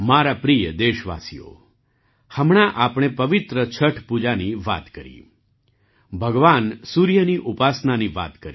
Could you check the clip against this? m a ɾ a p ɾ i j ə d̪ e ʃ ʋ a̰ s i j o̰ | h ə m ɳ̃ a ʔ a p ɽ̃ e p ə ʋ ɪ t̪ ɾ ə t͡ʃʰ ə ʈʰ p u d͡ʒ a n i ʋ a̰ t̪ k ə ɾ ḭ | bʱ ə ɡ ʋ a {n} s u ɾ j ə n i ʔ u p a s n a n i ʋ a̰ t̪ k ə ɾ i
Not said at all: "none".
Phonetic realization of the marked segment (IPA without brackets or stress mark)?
n